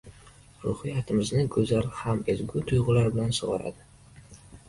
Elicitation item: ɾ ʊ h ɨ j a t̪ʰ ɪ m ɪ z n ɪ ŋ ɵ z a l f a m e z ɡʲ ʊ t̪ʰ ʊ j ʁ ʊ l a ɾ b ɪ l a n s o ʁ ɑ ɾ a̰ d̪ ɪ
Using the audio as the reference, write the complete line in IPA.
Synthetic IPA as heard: ɾ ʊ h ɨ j a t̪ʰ ɪ m ɪ z n ɪ ɡ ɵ z a l h a m e z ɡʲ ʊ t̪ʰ ʊ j ʁ ʊ l a ɾ b ɪ l a n s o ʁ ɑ ɾ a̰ d̪ ɪ